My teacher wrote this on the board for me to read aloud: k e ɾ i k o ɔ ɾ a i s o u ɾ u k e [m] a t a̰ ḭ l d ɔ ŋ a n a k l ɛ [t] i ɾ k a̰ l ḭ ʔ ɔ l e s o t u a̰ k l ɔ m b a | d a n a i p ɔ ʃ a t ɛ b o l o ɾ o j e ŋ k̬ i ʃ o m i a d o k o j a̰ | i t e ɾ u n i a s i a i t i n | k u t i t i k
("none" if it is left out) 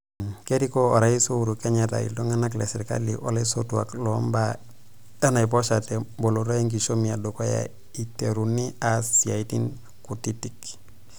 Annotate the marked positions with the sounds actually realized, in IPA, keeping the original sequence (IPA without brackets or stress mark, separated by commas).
ɲ, s